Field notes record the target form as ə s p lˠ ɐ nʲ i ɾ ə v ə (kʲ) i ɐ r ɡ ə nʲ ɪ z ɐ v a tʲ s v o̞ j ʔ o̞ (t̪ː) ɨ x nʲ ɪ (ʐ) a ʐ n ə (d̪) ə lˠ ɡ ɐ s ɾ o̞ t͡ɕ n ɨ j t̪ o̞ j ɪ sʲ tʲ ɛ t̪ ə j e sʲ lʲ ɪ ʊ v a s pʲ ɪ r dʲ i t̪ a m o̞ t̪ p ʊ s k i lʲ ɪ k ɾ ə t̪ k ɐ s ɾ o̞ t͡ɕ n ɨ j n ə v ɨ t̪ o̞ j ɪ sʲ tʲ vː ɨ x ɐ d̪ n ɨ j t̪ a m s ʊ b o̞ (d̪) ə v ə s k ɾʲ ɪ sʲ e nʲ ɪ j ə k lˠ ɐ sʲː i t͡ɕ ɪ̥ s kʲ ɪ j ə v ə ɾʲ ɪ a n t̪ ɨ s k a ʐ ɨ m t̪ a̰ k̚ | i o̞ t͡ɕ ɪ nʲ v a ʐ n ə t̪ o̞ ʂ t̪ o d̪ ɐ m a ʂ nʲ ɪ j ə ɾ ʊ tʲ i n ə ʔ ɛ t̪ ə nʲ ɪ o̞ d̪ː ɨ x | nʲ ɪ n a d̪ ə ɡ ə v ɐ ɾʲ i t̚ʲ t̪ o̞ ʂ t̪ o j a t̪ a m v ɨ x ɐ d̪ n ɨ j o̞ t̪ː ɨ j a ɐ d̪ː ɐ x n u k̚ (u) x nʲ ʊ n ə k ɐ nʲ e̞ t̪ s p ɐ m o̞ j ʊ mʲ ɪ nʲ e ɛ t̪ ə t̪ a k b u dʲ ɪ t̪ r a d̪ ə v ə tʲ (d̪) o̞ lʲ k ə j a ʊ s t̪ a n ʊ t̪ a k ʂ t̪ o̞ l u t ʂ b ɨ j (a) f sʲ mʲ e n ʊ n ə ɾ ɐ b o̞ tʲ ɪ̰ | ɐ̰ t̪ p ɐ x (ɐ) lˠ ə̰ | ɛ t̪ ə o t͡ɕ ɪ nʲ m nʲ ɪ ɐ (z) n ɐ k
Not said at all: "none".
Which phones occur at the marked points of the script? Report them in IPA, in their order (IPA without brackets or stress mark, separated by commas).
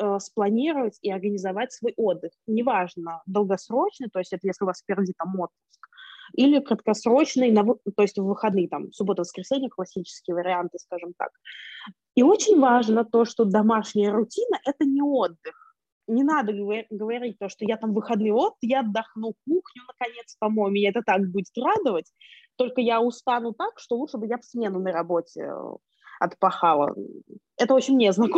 tʲ, d̪ː, v, d̪, t̪, u, t̪, a, a, z